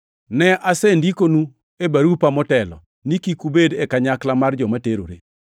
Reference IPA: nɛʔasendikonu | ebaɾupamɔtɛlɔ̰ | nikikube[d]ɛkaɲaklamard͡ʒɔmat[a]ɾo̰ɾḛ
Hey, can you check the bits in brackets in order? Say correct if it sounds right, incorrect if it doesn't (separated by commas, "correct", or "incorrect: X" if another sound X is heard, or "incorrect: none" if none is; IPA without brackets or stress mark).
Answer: correct, incorrect: e